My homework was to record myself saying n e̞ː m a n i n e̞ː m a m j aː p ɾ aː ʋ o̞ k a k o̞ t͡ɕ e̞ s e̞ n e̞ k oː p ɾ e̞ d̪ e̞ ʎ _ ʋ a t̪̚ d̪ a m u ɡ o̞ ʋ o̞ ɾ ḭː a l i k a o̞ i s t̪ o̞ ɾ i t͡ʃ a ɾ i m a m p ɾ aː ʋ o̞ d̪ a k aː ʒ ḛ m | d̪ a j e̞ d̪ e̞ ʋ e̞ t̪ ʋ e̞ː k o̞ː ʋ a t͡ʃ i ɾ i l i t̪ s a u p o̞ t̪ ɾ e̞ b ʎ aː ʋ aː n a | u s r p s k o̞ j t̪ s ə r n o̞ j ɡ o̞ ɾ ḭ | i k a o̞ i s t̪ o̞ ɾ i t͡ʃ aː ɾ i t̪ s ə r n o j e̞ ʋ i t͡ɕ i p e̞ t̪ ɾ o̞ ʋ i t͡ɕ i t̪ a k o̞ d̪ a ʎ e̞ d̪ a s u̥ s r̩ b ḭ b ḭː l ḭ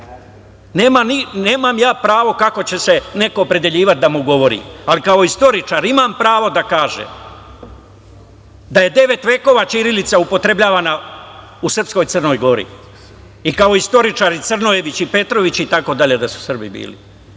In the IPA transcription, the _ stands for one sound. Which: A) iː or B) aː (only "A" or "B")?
A